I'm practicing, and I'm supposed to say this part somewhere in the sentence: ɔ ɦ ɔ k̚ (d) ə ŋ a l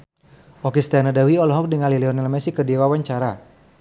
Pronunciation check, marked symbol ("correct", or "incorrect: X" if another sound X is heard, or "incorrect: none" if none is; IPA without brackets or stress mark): correct